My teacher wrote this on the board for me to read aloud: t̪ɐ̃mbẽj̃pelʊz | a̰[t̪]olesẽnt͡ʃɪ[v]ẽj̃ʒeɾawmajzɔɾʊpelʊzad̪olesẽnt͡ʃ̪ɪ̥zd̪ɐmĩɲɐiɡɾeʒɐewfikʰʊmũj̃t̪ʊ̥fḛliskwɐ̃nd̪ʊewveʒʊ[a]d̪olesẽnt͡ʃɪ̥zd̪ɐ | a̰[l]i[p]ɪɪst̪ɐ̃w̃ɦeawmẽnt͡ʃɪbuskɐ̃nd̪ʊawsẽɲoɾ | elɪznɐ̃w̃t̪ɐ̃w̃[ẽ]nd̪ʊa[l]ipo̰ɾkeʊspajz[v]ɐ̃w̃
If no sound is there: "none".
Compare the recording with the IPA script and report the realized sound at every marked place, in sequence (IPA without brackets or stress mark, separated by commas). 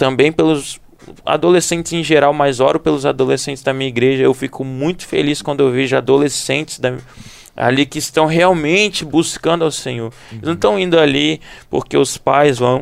d̪, z, a, l, k, ĩ, l, v